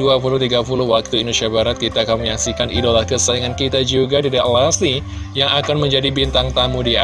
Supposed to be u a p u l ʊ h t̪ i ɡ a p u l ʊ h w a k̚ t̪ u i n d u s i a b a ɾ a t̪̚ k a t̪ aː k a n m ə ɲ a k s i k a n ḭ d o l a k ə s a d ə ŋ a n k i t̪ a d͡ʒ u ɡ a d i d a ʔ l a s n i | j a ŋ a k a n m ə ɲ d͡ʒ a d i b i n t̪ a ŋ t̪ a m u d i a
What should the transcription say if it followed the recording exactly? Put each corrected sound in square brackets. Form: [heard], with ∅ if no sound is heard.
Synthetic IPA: u a p u l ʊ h t̪ i ɡ a p u l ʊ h w a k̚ t̪ u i n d u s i a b a ɾ a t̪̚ k [i] t̪ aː k a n m ə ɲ a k s i k a n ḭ d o l a k ə s a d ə ŋ a n k i t̪ a d͡ʒ u ɡ a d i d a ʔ l a s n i | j a ŋ a k a n m ə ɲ d͡ʒ a d i b i n t̪ a ŋ t̪ a m u d i a